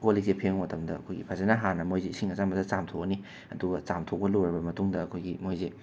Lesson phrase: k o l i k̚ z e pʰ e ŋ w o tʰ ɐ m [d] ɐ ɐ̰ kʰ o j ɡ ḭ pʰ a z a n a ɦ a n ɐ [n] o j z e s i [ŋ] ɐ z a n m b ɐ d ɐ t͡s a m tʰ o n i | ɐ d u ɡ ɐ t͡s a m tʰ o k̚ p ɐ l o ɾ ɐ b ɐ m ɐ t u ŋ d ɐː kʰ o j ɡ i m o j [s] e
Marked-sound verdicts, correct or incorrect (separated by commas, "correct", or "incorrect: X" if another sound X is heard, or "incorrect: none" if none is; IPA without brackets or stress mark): correct, incorrect: m, correct, incorrect: z